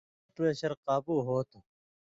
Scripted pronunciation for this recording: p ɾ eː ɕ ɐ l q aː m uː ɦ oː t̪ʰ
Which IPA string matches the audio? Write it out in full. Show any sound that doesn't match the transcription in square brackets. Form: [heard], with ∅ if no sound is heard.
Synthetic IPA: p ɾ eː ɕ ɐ [ɾ] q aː [b] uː ɦ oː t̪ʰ